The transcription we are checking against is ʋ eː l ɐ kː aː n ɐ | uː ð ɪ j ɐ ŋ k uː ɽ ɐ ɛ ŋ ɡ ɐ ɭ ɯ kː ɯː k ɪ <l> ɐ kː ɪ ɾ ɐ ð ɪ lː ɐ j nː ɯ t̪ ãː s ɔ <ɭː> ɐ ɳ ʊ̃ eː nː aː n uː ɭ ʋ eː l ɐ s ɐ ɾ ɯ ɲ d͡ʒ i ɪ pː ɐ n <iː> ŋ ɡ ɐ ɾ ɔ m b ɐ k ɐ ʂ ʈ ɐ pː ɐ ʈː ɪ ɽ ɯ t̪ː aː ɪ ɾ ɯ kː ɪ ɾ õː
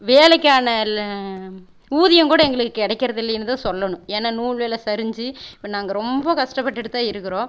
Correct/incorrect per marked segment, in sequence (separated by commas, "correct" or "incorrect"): incorrect, incorrect, incorrect